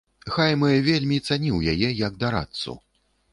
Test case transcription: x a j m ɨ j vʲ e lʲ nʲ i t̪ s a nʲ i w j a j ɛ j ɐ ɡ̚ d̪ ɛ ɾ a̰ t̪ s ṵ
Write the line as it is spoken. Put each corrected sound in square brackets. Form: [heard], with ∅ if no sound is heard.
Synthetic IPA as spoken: x a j m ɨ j vʲ e lʲ [mʲ] i t̪ s a nʲ i w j a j ɛ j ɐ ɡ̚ d̪ [a] ɾ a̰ t̪ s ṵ